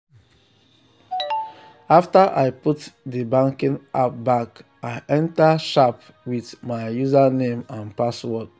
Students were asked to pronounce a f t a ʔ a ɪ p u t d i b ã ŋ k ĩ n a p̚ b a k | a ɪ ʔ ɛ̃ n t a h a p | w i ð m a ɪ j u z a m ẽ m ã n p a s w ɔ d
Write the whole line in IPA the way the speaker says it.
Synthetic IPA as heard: a f t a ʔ a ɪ p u t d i b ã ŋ k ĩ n a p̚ b a k | a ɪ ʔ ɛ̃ n t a ʃ a p | w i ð m a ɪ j u z a n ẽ m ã n p a s w ɔ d